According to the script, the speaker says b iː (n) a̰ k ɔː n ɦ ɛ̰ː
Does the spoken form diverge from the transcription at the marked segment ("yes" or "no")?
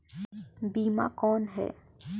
yes